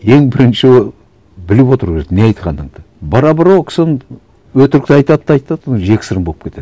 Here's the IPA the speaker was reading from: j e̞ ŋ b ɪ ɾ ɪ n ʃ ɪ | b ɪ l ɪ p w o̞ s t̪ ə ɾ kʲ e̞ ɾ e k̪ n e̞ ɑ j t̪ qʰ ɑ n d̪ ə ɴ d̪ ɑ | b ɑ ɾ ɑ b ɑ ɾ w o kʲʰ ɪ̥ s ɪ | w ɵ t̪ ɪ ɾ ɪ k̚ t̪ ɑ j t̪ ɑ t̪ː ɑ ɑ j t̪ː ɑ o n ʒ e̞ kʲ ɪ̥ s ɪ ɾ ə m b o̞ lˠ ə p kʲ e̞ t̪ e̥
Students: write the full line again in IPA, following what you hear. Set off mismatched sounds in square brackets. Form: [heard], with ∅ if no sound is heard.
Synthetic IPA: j e̞ ŋ b ɪ ɾ ɪ n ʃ ɪ | b ɪ l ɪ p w o̞ [∅] t̪ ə ɾ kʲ e̞ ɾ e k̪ n e̞ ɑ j t̪ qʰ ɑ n d̪ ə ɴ d̪ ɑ | b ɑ ɾ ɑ b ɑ ɾ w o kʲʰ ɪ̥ s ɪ | w ɵ t̪ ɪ ɾ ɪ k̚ t̪ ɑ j t̪ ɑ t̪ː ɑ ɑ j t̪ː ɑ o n ʒ e̞ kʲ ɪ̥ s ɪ ɾ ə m b o̞ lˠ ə p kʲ e̞ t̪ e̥